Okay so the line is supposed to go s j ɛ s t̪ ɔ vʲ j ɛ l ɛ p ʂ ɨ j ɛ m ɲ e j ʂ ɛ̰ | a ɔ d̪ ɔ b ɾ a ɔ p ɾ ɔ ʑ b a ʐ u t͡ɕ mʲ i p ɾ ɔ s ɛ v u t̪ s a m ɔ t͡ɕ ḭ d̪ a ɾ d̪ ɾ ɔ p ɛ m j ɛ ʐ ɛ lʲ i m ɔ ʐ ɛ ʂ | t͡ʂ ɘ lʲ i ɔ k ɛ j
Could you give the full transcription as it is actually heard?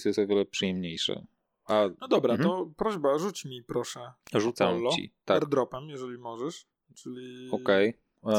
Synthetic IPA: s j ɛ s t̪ ɔ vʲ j ɛ l ɛ p ʂ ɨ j ɛ m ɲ e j ʂ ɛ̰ | a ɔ d̪ ɔ b ɾ a ɔ p ɾ ɔ ʑ b a ʐ u t͡ɕ mʲ i p ɾ ɔ ʂ ɛ ʐ u t̪ s a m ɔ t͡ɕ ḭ t̪ a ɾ d̪ ɾ ɔ p ɛ m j ɛ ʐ ɛ lʲ i m ɔ ʐ ɛ ʂ | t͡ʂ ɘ lʲ i ɔ k ɛ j